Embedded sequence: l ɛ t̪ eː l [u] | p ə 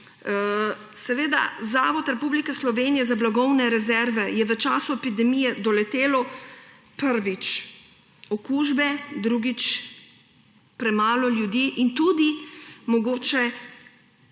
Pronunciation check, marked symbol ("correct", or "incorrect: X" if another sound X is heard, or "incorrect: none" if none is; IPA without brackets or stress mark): incorrect: ɔ